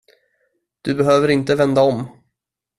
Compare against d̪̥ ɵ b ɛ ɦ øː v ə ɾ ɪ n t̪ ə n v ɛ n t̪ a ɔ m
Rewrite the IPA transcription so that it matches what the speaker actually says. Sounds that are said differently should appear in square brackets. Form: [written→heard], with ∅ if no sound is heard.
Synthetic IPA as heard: d̪̥ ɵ b ɛ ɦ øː v ə ɾ ɪ n t̪ ə [n→∅] v ɛ n [t̪→d̪] a ɔ m